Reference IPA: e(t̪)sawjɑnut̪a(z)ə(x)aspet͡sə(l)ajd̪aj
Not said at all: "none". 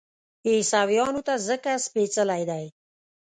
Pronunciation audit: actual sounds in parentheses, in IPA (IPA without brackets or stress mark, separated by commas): none, z, k, l